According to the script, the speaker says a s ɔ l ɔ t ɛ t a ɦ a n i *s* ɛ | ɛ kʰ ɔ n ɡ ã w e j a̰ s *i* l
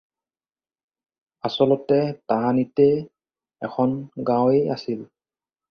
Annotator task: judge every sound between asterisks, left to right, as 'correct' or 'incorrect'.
incorrect: t, correct

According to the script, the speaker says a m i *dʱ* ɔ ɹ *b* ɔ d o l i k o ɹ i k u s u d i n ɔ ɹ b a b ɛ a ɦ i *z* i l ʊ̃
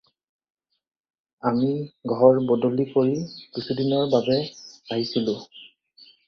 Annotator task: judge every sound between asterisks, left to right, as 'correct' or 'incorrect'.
incorrect: ɡʱ, correct, incorrect: s

